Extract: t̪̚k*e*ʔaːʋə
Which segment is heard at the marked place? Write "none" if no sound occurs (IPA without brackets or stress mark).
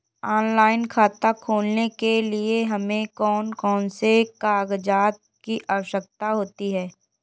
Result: i